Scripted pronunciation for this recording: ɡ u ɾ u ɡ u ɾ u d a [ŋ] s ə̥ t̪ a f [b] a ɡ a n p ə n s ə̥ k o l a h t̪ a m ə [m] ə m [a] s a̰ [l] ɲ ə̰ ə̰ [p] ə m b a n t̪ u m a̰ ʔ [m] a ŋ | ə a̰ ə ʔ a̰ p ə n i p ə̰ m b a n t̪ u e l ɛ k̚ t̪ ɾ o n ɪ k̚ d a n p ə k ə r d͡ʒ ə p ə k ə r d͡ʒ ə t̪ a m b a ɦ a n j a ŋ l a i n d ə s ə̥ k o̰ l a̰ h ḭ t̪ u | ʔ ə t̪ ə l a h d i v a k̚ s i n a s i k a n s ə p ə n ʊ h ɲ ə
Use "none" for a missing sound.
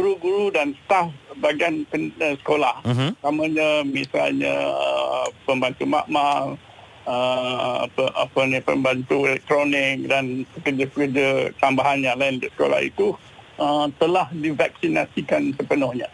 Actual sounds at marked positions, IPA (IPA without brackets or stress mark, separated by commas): n, b, ɲ, i, l, p, m